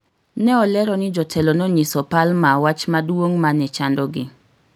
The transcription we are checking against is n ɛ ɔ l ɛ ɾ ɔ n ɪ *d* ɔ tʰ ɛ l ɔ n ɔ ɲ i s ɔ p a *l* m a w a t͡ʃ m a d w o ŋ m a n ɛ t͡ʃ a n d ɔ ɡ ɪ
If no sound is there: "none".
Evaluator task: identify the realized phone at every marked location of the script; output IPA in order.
d͡ʒ, l

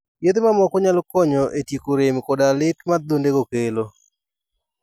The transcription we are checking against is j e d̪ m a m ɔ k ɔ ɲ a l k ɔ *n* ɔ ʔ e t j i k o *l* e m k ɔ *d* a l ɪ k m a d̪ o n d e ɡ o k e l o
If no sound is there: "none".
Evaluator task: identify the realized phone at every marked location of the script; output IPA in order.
ɲ, ɾ, d

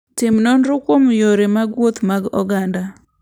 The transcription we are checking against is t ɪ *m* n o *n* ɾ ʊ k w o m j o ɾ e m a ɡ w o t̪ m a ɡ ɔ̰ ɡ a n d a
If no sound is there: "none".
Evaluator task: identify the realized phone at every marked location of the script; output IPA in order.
m, n

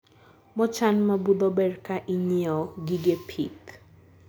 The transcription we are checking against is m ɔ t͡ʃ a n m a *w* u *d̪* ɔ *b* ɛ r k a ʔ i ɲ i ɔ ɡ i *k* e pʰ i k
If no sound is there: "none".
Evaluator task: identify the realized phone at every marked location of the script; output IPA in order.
b, d̪, b, ɡ

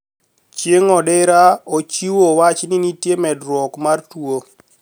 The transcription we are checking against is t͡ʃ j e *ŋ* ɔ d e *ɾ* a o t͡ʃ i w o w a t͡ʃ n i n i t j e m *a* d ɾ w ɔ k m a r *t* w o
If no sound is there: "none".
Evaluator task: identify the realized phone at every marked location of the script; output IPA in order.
ŋ, ɾ, ɛ, t

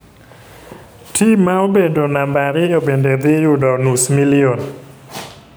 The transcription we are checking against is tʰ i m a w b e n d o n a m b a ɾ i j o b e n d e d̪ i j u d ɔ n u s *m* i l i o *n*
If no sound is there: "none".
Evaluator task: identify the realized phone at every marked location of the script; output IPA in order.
m, n

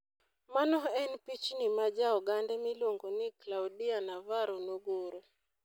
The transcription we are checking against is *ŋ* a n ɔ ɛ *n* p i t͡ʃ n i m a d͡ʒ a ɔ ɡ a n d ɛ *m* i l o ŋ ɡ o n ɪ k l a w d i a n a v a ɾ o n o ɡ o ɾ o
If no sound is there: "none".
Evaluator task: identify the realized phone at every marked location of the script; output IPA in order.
m, n, m

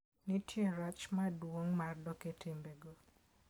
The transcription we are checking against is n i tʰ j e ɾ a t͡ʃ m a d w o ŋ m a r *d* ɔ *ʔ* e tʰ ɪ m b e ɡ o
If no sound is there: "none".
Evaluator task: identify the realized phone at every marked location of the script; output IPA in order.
d, k

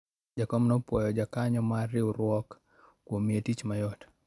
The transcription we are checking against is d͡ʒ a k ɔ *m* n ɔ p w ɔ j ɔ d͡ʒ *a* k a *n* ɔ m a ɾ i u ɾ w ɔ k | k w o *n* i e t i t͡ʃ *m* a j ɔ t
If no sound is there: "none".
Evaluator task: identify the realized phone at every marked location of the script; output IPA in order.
m, a, ɲ, m, m

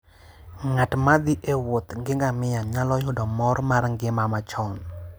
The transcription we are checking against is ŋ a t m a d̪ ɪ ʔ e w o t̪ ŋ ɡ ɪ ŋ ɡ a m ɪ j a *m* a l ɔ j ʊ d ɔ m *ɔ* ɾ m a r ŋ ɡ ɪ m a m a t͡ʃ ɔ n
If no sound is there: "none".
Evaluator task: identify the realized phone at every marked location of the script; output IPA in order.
ɲ, ɔ

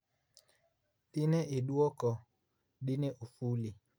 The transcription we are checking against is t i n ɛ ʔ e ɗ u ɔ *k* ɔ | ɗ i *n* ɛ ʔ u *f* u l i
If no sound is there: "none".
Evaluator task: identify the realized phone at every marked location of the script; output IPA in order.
k, n, f

